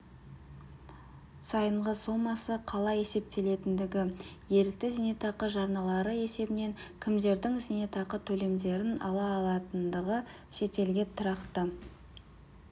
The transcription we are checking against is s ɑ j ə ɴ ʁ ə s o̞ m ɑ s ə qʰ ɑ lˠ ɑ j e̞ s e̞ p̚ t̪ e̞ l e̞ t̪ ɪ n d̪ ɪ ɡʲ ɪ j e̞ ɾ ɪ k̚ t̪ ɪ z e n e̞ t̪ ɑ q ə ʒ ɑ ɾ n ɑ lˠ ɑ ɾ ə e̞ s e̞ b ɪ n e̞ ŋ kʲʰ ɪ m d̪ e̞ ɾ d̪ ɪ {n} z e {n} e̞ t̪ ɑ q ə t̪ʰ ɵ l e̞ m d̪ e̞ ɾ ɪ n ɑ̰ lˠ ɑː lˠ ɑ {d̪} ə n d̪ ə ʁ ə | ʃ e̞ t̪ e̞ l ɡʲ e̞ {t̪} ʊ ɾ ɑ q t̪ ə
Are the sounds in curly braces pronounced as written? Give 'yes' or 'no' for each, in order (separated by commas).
no, yes, no, no